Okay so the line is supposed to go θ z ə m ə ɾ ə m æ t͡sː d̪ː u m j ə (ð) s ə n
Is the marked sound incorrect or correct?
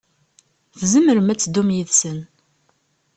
correct